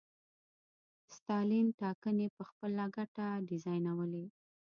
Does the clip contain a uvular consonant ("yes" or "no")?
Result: no